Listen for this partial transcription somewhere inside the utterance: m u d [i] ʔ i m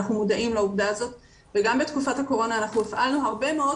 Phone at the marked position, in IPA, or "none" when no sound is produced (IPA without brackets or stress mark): a